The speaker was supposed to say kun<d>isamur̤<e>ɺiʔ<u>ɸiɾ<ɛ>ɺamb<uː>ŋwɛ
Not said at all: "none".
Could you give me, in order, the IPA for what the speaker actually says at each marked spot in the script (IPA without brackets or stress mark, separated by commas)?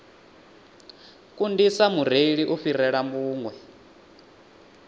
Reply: d, e, u, ɛ, uː